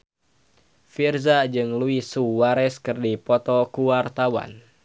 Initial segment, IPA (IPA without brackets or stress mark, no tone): f